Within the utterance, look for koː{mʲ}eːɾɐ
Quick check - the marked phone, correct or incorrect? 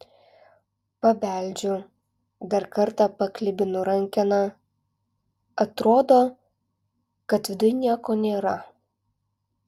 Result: incorrect